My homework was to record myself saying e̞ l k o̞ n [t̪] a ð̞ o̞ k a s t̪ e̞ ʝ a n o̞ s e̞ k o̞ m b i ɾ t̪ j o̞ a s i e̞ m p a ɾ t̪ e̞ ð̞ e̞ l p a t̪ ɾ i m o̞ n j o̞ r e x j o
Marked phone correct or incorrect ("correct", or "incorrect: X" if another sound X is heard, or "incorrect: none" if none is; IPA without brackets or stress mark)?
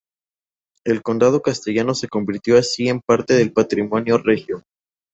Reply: incorrect: d̪